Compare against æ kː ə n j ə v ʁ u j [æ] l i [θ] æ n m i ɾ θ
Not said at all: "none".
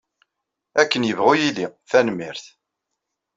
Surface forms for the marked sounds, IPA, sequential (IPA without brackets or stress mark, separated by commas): i, θ